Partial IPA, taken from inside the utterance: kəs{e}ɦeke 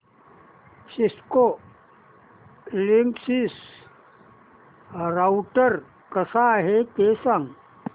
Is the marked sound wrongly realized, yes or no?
yes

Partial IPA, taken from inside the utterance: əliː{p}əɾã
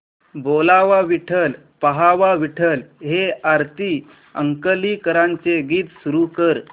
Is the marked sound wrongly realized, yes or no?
yes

